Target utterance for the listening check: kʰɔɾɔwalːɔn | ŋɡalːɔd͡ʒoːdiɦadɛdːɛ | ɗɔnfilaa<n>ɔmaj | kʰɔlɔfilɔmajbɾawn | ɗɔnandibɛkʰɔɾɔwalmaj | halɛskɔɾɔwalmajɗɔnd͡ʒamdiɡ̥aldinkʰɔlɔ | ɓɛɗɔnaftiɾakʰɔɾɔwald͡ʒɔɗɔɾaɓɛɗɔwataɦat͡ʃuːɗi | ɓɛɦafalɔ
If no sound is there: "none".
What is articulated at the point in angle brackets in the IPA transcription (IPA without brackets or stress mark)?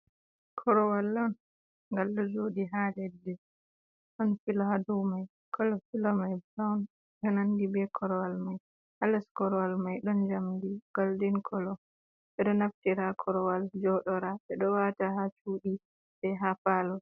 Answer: d